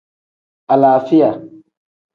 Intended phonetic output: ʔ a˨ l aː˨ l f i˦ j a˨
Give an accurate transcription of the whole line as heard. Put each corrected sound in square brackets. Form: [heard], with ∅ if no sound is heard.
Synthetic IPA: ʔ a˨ l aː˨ [∅] f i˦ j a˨